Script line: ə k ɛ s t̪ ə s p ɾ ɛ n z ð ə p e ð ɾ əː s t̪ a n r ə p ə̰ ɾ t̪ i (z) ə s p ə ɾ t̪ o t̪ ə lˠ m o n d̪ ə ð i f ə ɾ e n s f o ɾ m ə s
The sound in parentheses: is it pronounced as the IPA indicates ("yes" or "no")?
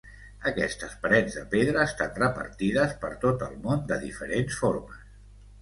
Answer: no